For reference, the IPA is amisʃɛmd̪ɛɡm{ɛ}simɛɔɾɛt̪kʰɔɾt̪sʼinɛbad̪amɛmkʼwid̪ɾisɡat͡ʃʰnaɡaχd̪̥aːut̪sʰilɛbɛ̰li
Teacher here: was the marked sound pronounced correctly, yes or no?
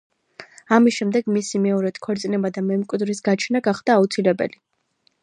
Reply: no